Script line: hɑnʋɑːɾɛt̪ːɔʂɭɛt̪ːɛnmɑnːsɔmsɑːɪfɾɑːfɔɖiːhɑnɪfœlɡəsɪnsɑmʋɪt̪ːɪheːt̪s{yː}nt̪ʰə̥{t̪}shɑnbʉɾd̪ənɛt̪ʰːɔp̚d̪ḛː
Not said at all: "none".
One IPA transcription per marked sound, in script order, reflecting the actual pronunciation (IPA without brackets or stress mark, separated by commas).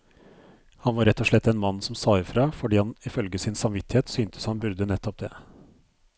yː, none